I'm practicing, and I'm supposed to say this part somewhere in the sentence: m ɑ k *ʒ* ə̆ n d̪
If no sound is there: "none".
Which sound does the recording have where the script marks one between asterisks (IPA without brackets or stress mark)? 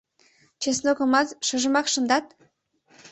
ʃ